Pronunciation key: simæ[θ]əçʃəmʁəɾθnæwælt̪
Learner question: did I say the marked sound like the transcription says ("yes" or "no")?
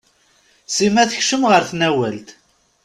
yes